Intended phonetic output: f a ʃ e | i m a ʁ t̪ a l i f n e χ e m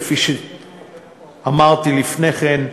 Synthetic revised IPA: f i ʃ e | a m a ʁ t̪ i l i f n e χ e n